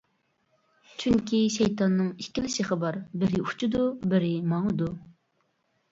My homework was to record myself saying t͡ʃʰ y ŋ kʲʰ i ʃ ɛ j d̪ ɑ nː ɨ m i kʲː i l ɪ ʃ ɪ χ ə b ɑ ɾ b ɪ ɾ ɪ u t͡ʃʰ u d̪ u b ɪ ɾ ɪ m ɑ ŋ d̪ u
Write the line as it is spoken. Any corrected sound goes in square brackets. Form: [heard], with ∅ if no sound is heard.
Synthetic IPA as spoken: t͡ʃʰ y ŋ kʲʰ i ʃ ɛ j [t̪] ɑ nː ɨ [ŋ] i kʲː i l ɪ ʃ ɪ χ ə b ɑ ɾ b ɪ ɾ ɪ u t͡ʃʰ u d̪ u b ɪ ɾ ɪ m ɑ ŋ d̪ u